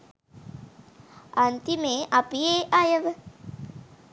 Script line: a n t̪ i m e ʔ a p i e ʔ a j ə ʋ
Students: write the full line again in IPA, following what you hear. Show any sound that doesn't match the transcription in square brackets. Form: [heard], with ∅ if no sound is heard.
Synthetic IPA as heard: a n t̪ i m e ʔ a p i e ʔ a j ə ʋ